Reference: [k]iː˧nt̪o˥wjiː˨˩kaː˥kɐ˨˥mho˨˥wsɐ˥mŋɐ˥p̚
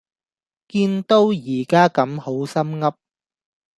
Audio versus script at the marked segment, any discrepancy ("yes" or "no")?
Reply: no